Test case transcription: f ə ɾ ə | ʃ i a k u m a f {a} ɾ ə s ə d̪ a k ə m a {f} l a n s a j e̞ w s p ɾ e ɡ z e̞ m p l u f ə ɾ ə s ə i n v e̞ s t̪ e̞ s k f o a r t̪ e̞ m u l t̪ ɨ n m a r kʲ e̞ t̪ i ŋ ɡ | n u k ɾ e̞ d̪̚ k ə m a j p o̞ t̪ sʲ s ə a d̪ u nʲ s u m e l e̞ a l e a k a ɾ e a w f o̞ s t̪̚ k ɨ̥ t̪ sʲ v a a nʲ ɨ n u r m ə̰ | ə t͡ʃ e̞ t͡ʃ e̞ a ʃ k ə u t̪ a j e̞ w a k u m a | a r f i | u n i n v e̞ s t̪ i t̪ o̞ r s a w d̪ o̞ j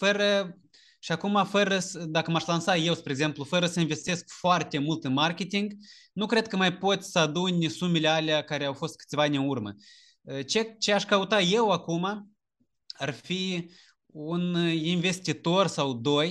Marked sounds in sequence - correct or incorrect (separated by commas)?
incorrect, incorrect